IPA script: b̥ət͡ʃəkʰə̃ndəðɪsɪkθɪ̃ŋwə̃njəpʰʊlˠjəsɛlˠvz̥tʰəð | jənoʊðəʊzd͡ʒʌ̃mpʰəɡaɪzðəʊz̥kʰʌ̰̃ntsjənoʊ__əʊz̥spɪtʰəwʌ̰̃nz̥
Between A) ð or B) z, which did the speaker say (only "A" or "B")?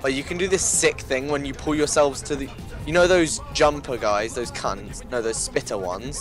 A